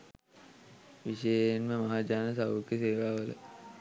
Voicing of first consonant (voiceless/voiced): voiced